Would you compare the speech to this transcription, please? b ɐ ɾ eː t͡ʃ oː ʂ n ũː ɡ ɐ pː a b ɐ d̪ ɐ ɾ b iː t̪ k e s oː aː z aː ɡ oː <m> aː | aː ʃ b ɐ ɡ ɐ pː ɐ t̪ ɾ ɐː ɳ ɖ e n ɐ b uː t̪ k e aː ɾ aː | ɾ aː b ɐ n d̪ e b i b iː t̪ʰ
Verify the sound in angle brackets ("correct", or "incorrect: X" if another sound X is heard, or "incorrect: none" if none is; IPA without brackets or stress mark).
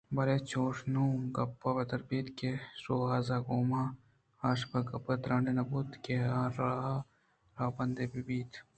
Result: correct